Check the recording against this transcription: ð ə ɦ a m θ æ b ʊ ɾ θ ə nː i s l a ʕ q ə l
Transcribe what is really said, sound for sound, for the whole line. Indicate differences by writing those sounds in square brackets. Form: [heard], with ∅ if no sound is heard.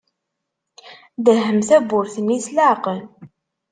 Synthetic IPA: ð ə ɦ [ə] m θ æ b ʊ ɾ θ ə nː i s l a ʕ q ə l